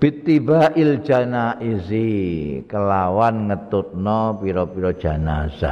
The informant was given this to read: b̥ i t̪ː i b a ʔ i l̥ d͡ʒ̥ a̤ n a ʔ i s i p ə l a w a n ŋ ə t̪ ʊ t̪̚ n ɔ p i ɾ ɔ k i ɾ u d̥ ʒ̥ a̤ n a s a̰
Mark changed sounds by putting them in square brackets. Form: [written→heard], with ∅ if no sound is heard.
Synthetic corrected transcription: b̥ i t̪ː i b a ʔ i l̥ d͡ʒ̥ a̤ n a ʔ i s i [p→k] ə l a w a n ŋ ə t̪ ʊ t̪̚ n ɔ p i ɾ ɔ [k→p] i ɾ [u→ɔ] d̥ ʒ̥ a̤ n a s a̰